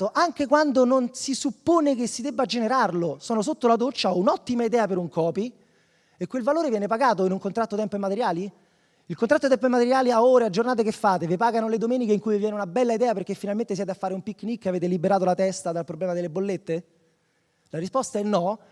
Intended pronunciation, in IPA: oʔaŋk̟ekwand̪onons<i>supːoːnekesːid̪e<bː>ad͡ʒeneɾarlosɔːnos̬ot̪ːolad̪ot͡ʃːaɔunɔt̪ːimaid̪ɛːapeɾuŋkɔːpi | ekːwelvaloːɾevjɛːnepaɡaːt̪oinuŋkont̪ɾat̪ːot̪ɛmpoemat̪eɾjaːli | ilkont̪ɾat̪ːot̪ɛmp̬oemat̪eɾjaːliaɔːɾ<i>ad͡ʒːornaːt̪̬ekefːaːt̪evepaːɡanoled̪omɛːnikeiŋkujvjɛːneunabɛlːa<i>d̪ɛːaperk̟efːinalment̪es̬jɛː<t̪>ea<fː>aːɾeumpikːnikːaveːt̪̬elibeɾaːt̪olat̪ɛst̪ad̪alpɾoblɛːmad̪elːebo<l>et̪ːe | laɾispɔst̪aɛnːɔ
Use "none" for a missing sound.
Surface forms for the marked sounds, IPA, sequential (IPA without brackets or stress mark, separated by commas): i, bː, e, i, t̪, fː, lː